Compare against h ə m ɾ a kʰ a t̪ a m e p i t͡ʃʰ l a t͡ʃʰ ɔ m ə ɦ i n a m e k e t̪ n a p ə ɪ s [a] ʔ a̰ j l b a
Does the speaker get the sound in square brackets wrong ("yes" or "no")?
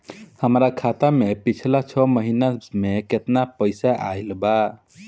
no